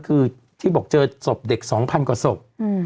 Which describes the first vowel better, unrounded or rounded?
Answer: unrounded